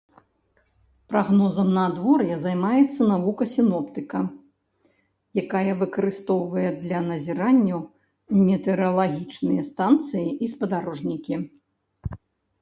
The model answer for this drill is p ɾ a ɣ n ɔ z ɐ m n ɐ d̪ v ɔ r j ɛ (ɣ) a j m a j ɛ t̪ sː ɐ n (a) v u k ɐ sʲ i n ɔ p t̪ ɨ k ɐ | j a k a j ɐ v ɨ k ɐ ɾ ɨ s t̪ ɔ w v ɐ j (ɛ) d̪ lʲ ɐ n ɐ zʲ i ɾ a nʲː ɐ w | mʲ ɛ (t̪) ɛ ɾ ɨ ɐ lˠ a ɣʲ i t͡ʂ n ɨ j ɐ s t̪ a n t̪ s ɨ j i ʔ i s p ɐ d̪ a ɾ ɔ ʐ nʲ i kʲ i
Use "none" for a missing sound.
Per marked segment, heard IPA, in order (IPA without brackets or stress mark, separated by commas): z, a, ɛ, t̪